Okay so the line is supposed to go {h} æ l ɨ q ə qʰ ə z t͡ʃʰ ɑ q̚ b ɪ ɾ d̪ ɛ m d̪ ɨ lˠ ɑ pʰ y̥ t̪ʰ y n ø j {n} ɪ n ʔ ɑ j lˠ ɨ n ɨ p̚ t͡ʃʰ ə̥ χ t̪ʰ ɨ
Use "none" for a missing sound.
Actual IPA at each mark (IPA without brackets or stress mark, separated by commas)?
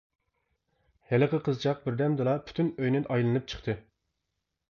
h, n